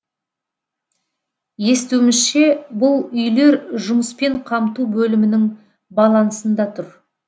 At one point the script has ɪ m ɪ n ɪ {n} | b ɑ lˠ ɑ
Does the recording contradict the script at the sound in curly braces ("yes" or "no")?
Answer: yes